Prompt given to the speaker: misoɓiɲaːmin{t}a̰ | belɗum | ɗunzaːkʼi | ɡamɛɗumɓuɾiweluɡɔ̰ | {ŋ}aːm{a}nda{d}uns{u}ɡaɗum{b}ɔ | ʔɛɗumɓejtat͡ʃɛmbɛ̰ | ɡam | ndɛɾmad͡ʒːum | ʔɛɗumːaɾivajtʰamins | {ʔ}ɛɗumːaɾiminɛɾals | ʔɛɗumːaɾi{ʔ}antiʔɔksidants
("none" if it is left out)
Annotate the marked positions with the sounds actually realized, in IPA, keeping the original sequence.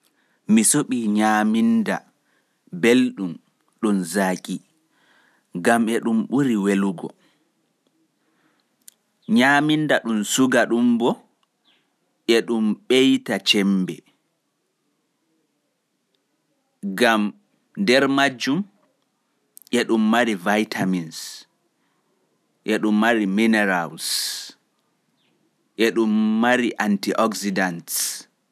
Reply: d, ɲ, i, ɗ, u, b, ʔ, ʔ

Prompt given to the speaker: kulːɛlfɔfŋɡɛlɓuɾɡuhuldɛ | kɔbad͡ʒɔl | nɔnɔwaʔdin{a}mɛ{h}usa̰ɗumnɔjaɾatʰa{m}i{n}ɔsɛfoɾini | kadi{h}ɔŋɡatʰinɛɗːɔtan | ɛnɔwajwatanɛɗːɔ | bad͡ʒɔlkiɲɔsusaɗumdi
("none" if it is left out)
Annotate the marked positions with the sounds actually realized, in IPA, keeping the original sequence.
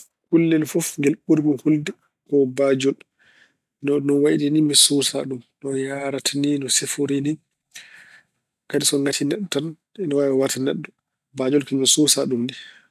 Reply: i, s, n, n, s

